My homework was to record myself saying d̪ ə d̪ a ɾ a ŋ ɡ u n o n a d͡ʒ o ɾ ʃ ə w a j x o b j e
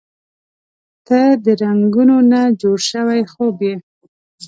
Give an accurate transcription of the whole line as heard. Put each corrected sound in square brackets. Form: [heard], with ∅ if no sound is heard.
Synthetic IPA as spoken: [t̪] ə d̪ [ə] ɾ a ŋ ɡ u n o n a d͡ʒ o [ɽ] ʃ ə w a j x o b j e